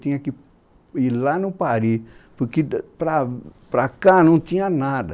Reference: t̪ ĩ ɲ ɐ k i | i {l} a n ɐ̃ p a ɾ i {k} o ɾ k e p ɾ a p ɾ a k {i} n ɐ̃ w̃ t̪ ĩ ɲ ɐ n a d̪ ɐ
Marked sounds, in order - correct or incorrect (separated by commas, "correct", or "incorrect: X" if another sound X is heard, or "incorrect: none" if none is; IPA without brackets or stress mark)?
correct, incorrect: p, incorrect: a